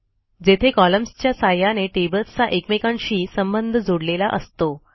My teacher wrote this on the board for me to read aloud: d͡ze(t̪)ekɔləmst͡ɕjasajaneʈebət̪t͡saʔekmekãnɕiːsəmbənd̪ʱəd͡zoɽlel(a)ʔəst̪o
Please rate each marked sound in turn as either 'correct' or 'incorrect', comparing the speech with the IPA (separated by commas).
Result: incorrect, correct